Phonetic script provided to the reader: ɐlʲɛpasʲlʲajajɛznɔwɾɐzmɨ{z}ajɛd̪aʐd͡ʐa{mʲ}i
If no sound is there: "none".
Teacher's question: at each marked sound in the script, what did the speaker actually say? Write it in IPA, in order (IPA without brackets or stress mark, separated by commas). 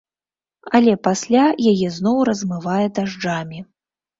v, mʲ